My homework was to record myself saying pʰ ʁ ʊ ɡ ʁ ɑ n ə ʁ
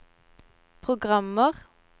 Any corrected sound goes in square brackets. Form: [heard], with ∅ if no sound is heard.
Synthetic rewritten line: pʰ ʁ ʊ ɡ ʁ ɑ [m] ə ʁ